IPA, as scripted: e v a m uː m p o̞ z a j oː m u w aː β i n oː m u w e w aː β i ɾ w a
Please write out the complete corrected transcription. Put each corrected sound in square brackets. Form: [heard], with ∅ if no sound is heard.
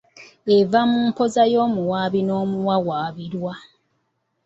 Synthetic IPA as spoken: e v a m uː m p o̞ z a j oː m u w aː β i n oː m u w [a] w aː β i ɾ w a